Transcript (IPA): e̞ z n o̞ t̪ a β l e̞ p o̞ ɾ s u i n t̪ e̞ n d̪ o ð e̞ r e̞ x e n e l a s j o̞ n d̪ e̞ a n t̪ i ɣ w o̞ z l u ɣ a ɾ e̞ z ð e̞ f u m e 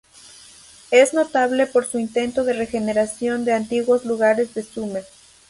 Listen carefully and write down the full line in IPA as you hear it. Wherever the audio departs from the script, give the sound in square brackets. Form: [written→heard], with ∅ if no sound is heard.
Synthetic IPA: e̞ z n o̞ t̪ a β l e̞ p o̞ ɾ s u i n t̪ e̞ n [d̪→t̪] o ð e̞ r e̞ x e n e [l→ɾ] a s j o̞ n d̪ e̞ a n t̪ i ɣ w o̞ z l u ɣ a ɾ e̞ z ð e̞ [f→s] u m e